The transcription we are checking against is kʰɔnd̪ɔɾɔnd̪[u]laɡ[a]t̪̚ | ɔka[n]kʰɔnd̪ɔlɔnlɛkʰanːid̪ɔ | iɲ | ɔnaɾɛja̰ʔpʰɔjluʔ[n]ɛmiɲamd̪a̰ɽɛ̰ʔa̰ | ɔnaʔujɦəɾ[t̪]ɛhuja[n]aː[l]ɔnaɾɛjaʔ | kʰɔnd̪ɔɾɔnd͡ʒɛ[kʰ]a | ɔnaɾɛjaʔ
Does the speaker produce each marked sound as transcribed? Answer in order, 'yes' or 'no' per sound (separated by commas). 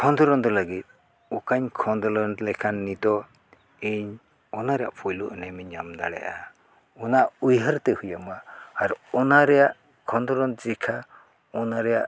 no, no, no, yes, yes, no, no, yes